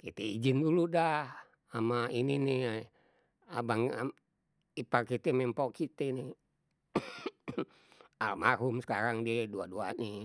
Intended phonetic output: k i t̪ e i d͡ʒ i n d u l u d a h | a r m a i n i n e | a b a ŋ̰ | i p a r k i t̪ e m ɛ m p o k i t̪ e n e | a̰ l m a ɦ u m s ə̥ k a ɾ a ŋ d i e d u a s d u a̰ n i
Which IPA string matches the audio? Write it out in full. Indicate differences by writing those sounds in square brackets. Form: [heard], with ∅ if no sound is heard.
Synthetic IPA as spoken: k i t̪ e i d͡ʒ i n d u l u d a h | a [∅] m a i n i n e | a b a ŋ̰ | i p a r k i t̪ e m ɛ m p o k i t̪ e n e | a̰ l m a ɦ u m s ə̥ k a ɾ a ŋ d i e d u a [∅] d u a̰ n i